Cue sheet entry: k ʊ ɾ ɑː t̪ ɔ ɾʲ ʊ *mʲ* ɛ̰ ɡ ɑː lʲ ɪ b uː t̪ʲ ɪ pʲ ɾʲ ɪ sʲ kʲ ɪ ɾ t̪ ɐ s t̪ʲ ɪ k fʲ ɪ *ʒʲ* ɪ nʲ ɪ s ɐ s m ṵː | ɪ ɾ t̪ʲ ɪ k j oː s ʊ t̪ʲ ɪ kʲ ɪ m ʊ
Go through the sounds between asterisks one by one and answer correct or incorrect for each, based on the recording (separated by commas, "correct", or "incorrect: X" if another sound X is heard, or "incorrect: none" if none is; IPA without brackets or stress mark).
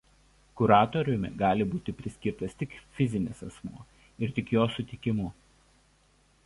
correct, incorrect: zʲ